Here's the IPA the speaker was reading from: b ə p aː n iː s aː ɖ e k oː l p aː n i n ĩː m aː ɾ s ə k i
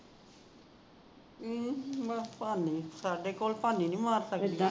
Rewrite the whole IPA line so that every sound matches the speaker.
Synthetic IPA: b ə p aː n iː s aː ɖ e k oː l p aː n i n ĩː m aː ɾ s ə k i